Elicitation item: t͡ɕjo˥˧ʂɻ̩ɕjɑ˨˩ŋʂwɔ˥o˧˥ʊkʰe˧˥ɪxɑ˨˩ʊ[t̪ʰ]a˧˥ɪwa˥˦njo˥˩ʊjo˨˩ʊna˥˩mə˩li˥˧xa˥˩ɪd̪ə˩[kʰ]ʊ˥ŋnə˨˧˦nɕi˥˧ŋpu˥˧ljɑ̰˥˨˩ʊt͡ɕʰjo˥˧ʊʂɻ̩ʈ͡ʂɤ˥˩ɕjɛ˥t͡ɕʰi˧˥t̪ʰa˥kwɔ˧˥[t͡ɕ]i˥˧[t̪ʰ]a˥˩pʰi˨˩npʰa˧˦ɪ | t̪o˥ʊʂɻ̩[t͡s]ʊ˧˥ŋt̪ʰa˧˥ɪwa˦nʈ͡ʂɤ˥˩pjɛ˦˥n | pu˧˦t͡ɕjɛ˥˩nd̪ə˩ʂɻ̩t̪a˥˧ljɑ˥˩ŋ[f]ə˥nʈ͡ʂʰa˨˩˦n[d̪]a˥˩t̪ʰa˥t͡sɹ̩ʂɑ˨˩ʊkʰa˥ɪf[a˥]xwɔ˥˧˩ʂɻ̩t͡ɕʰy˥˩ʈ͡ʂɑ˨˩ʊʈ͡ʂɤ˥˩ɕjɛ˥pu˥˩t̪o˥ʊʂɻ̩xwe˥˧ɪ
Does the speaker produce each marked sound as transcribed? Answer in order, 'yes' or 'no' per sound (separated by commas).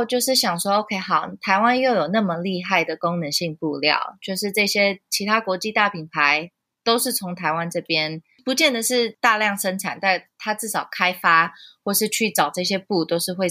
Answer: yes, no, yes, no, no, no, no, yes